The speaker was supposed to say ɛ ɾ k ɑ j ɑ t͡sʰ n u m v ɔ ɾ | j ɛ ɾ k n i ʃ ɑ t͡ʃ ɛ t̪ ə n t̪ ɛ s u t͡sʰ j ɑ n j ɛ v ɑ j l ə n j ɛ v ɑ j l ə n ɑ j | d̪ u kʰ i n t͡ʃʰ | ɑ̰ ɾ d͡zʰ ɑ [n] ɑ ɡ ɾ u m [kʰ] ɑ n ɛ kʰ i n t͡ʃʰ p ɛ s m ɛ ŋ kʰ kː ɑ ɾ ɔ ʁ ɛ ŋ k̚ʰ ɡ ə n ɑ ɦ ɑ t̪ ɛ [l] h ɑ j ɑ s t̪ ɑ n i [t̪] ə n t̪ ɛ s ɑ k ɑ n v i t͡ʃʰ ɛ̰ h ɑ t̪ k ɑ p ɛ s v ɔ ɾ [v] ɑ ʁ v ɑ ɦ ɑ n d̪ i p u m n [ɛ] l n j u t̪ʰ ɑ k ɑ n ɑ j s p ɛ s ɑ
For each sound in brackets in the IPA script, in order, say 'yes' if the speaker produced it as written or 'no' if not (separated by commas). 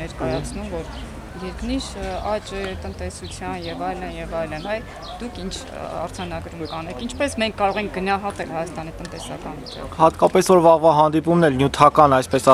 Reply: yes, no, yes, yes, yes, yes